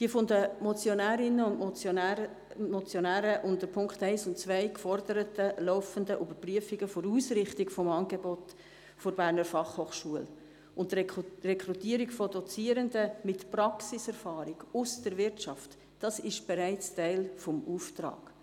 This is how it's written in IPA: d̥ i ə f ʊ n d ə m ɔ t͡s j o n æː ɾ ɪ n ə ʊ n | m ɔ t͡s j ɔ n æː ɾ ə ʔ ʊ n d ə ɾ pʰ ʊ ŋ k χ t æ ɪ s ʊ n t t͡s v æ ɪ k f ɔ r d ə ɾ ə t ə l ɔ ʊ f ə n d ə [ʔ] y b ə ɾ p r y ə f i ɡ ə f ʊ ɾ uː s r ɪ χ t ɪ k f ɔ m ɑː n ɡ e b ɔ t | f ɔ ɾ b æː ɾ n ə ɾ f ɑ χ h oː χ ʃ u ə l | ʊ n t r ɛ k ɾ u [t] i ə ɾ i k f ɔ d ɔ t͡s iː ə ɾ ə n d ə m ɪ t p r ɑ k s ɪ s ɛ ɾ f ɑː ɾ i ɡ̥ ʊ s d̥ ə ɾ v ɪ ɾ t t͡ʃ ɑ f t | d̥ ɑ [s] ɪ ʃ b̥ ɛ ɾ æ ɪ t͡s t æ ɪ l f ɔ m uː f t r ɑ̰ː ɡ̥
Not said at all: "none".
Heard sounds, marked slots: ʔ, t, s

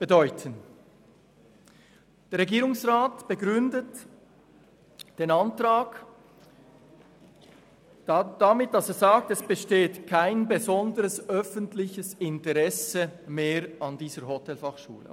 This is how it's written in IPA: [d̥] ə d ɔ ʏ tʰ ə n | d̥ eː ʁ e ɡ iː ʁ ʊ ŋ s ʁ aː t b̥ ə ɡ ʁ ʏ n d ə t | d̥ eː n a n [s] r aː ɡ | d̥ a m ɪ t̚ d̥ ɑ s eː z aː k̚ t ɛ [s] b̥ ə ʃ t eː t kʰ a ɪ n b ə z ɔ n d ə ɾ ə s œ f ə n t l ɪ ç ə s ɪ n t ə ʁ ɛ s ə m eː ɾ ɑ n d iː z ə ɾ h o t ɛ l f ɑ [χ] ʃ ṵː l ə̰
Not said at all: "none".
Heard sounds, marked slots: b̥, t, s, χ

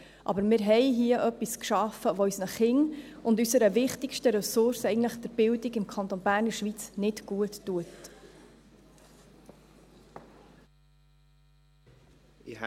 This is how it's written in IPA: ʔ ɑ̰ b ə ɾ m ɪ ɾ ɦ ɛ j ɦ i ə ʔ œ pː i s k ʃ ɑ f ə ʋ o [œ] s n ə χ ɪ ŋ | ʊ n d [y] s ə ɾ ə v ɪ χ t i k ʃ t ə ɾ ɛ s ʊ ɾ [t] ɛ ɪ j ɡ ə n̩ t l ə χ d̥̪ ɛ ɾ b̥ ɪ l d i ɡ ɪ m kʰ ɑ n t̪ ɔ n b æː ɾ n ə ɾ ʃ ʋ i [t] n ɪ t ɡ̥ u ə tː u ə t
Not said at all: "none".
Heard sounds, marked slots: y, y, s, t͡s

